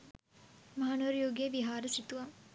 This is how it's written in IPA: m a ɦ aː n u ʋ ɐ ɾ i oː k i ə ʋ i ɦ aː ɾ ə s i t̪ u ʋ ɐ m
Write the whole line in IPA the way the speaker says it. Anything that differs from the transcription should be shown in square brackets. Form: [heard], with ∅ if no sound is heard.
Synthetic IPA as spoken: m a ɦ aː n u ʋ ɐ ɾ [j] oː [ɡ] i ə ʋ i ɦ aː ɾ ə s i t̪ u ʋ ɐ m